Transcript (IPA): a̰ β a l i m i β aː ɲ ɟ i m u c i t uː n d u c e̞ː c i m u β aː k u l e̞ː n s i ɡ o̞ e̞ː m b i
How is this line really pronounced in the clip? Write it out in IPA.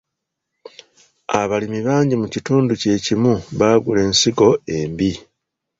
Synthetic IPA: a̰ β a l i m i β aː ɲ ɟ i m u c i t uː n d u c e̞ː c i m u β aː ɡ u l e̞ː n s i ɡ o̞ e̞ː m b i